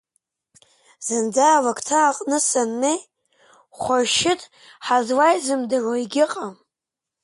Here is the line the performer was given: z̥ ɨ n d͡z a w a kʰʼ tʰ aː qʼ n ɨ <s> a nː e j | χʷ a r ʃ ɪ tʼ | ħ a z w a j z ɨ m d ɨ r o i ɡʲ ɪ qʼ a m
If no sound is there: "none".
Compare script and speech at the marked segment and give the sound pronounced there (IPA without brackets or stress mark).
s